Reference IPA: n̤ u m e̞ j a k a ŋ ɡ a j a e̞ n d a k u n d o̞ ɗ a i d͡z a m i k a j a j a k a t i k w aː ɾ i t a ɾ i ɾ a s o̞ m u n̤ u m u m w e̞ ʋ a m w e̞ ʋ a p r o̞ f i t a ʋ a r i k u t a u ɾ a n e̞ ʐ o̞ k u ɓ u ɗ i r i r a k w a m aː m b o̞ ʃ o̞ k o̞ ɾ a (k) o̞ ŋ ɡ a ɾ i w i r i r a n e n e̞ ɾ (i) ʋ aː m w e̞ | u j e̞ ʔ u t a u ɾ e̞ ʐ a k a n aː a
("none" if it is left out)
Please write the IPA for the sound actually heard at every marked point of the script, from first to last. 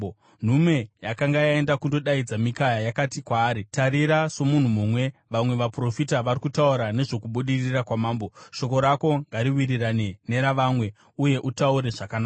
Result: k, a

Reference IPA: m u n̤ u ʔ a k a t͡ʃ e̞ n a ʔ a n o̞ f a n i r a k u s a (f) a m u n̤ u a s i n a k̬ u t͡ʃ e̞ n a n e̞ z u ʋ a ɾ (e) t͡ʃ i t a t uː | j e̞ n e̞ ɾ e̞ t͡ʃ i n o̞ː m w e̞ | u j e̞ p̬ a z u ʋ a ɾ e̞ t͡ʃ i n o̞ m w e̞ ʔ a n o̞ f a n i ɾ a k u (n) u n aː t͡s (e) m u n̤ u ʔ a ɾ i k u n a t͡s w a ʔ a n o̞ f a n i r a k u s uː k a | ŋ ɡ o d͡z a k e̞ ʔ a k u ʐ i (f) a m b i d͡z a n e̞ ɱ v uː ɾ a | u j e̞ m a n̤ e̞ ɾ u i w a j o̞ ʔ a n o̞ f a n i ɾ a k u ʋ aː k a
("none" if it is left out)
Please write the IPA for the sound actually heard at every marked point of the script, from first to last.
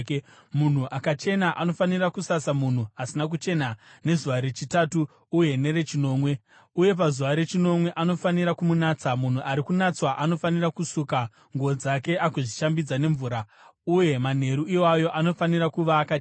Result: s, e, m, a, ʃ

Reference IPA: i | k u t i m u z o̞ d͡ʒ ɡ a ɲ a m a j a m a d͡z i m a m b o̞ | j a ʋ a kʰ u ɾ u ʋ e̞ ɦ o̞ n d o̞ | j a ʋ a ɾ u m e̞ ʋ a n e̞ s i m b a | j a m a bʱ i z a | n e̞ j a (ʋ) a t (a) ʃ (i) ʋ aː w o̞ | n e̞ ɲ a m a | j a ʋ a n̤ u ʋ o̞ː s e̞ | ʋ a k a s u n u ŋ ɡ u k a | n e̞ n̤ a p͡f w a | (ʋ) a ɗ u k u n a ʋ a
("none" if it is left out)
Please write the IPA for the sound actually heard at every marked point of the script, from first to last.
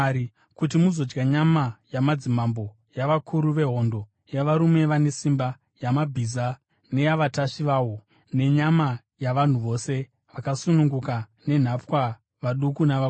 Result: ʋ, a, i, ʋ

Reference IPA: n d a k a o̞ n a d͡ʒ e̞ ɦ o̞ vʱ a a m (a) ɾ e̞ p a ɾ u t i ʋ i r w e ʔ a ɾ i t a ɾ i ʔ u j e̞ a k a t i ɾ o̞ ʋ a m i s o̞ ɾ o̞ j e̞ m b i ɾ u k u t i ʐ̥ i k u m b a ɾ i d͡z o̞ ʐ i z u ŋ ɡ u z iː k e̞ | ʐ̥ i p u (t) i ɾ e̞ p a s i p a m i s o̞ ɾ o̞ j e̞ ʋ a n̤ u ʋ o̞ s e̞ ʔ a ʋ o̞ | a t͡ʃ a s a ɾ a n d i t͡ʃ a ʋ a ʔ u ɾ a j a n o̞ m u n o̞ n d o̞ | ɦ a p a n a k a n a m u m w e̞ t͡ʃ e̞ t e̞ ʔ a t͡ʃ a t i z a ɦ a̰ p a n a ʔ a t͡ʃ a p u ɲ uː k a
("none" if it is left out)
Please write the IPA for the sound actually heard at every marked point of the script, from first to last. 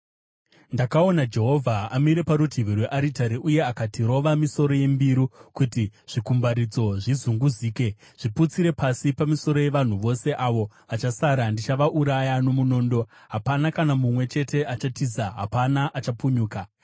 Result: i, t͡s

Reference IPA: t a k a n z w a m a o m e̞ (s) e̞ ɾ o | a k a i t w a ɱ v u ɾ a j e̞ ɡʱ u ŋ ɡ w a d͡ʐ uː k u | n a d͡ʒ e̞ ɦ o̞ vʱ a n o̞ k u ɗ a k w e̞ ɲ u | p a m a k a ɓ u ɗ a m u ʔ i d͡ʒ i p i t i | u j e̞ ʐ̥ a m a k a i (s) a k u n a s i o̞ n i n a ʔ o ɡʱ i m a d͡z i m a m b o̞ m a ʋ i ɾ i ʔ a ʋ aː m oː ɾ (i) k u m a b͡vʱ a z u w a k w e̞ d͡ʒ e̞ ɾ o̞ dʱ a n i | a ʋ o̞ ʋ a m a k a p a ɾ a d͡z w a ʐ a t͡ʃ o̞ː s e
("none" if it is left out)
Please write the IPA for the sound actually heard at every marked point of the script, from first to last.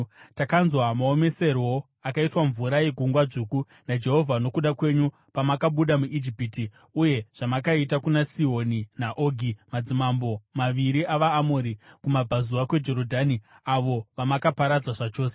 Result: s, t, i

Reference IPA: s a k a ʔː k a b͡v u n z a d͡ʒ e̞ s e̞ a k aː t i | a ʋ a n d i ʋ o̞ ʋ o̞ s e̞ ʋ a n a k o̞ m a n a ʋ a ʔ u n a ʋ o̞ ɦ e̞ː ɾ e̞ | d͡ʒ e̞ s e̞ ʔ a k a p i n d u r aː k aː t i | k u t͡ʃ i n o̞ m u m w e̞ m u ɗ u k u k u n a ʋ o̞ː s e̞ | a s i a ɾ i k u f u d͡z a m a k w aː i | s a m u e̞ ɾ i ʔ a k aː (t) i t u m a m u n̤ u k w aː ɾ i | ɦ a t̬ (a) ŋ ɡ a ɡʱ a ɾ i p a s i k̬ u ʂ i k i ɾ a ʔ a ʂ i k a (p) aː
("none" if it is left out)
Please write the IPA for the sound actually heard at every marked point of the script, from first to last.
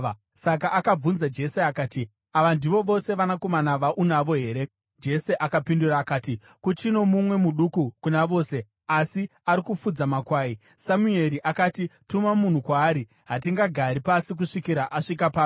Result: t, i, p

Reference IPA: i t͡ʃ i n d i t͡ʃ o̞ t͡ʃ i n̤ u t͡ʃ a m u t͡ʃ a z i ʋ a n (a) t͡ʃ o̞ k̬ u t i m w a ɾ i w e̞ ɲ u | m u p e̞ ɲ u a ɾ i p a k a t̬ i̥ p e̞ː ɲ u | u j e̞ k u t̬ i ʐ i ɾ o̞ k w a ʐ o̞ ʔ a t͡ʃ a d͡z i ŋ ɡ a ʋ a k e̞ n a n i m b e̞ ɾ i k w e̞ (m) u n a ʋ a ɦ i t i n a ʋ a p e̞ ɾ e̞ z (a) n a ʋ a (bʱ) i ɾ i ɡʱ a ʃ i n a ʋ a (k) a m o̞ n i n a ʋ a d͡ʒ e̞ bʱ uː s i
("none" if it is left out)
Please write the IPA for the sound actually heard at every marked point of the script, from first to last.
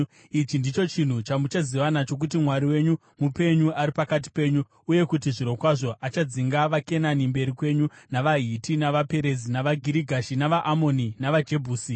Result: a, ɲ, i, ɡʱ, ʔ

